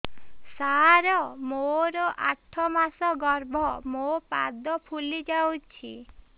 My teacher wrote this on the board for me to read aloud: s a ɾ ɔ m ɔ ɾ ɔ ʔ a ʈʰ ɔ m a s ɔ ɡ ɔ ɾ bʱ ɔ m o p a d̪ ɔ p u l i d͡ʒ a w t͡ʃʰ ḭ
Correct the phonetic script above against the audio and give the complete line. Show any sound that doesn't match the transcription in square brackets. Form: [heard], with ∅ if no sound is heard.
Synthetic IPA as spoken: s a ɾ ɔ m [o] ɾ ɔ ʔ a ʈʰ ɔ m a s ɔ ɡ ɔ ɾ bʱ ɔ m o p a d̪ ɔ [pʰ] u l i d͡ʒ a w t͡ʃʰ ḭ